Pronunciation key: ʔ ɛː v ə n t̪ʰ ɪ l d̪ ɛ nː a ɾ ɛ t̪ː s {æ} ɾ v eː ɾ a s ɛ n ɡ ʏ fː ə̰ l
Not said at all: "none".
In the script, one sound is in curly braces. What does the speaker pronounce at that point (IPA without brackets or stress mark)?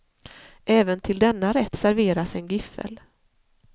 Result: æ